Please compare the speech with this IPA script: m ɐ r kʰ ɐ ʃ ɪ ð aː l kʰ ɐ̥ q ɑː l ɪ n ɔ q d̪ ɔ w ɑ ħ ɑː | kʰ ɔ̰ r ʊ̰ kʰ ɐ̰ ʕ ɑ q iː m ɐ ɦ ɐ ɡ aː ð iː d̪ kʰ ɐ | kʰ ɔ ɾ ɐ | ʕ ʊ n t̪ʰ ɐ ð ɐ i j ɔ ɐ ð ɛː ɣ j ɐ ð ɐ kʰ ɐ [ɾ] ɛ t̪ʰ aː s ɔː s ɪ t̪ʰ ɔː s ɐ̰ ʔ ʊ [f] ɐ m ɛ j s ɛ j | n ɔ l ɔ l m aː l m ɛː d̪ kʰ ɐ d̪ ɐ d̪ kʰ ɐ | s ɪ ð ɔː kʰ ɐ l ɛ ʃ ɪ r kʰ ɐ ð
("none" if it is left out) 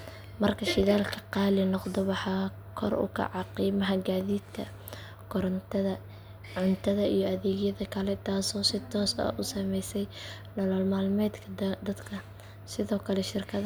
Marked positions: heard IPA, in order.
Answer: l, s

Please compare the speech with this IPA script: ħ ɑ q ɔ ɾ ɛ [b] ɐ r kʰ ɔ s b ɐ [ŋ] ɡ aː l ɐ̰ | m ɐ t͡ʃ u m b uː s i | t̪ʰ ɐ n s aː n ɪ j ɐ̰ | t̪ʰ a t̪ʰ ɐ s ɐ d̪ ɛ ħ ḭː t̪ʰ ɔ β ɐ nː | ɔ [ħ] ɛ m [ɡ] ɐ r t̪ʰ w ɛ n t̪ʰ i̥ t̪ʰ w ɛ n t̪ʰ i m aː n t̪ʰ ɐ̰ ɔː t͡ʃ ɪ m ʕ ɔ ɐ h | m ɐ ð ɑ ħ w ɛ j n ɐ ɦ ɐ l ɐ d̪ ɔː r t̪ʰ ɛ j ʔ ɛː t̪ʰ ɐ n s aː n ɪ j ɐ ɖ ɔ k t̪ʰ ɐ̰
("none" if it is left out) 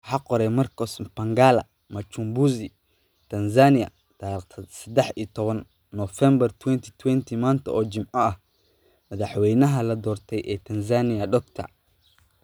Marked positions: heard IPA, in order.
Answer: m, ŋ, f, b

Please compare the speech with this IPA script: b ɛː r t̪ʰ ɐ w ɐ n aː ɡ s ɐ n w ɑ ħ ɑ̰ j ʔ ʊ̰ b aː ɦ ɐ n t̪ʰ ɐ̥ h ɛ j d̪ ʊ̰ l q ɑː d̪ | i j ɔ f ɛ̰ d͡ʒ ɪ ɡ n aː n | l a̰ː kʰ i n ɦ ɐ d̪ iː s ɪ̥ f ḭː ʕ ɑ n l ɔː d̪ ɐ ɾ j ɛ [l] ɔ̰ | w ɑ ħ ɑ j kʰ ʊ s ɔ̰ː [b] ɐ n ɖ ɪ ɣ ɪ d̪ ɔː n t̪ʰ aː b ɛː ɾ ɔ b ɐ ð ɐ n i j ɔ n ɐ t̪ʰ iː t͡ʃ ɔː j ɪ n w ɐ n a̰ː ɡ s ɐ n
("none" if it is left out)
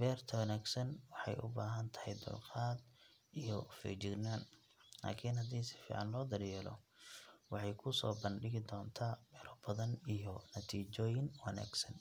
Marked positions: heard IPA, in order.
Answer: l, b

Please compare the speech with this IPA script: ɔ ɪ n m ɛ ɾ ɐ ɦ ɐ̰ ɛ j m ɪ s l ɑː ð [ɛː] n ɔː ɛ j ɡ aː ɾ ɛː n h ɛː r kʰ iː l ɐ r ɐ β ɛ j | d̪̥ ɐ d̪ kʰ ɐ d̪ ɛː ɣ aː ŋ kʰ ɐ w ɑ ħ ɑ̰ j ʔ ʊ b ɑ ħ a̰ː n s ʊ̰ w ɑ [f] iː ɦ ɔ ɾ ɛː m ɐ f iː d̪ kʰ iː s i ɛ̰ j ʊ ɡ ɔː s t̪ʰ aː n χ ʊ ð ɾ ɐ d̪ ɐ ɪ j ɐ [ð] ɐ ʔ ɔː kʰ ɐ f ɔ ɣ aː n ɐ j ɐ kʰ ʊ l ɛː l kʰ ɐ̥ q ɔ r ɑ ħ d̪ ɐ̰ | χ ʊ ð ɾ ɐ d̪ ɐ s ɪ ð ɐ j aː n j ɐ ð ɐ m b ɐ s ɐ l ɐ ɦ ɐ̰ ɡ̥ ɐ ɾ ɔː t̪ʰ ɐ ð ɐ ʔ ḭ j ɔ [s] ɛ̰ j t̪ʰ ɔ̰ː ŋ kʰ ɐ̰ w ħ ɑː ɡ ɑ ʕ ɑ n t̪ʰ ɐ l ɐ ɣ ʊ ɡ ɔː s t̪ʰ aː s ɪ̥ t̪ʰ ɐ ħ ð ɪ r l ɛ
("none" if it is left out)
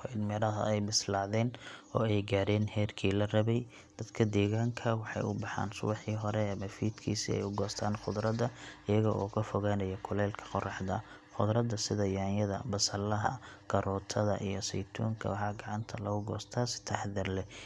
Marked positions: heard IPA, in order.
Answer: ɛː, ħ, ɣ, s

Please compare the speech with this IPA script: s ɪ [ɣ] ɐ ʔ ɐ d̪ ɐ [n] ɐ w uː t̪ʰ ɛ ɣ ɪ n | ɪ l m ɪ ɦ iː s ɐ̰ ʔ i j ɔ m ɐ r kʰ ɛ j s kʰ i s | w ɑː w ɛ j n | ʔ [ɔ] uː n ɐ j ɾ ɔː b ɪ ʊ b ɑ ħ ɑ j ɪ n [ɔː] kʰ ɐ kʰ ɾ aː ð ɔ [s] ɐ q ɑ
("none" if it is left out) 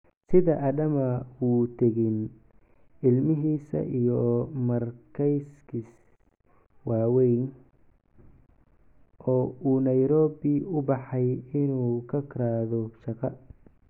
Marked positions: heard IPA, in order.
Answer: ð, m, ɔː, uː, ʃ

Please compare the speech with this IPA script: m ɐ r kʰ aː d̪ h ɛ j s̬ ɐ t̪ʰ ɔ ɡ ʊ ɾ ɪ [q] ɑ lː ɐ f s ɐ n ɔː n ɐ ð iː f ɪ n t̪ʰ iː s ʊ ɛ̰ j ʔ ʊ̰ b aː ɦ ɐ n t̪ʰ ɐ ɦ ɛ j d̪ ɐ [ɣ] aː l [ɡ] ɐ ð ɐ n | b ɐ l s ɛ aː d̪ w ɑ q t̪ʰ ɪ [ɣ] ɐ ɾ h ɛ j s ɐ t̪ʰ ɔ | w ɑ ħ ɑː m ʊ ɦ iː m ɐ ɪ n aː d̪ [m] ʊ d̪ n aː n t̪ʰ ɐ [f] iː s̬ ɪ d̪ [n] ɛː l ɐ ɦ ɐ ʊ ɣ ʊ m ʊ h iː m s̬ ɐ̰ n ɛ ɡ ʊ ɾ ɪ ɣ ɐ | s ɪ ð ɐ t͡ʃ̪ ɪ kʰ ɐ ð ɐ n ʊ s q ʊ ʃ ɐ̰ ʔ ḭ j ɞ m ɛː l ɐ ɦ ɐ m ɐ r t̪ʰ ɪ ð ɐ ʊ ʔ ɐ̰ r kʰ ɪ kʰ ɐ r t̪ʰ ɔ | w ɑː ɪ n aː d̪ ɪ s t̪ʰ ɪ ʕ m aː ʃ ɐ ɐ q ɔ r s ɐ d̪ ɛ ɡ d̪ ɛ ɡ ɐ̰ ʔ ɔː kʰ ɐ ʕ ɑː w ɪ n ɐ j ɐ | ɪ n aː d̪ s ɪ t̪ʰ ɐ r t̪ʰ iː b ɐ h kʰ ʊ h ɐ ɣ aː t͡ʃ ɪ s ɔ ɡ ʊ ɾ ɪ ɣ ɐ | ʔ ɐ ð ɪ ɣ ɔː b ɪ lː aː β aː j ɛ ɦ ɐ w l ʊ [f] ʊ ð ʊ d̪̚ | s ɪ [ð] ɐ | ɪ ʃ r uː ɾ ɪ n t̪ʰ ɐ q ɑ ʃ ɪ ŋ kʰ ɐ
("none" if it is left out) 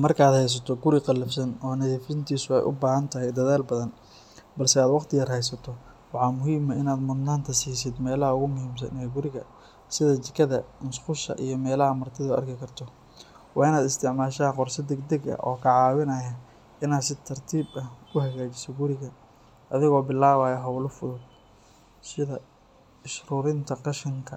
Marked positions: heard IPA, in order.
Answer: q, ð, b, ɣ, m, s, m, f, ð

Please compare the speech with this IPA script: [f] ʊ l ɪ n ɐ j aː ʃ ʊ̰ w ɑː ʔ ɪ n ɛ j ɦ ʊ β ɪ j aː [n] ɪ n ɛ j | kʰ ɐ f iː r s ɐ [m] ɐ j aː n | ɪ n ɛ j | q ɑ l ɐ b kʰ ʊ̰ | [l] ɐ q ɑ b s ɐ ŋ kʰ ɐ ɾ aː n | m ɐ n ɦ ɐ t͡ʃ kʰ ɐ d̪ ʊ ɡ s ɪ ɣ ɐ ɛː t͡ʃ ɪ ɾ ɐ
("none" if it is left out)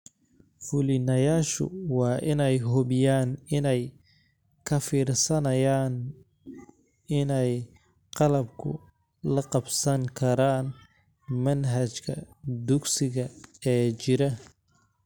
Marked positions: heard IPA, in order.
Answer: f, n, n, l

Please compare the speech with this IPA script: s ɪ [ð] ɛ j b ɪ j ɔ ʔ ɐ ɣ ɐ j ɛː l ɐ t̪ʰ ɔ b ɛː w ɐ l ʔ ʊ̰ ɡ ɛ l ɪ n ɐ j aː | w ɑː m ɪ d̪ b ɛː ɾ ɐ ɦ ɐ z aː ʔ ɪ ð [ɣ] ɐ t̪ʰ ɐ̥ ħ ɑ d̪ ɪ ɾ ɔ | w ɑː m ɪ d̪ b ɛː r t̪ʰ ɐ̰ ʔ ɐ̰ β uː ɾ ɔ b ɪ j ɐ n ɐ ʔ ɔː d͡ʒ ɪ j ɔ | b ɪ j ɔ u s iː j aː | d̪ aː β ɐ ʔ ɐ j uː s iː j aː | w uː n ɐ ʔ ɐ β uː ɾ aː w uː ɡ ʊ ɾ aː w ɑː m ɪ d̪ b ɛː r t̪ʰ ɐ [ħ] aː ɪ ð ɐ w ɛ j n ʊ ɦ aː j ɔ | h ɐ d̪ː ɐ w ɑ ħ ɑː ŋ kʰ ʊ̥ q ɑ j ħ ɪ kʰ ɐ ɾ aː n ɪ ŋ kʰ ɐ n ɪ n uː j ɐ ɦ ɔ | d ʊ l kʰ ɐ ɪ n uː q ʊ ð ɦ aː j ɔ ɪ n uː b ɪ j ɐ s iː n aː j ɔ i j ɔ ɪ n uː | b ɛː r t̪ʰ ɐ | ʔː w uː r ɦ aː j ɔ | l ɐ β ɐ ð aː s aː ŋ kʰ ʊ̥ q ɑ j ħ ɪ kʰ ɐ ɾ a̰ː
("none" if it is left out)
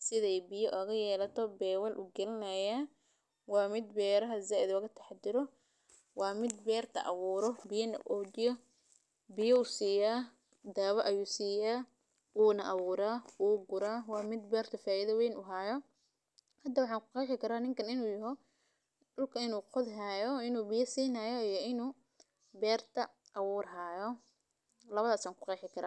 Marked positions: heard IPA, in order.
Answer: ð, ɣ, f

